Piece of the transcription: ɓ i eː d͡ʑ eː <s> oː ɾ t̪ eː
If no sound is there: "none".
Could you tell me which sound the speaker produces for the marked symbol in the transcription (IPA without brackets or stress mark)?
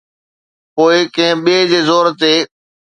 z